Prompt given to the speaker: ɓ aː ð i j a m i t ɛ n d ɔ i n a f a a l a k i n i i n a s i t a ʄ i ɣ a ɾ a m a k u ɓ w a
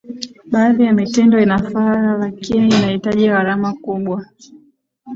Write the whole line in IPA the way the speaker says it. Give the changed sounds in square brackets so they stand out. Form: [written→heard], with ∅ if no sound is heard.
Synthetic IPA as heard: ɓ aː ð i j a m i t ɛ n d ɔ i n a f a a l a k i n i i n a [s→h] i t a ʄ i ɣ a ɾ a m a k u ɓ w a